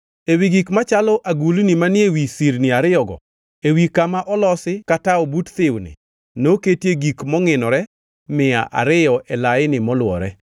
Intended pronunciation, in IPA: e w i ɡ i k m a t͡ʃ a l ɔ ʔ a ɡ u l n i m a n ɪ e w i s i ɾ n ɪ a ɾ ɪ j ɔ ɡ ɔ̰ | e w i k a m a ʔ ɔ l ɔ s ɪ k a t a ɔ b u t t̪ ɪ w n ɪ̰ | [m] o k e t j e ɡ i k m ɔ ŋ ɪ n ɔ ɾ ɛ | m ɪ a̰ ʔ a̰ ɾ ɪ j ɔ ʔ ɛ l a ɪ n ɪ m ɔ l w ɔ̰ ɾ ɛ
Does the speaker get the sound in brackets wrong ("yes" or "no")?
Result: yes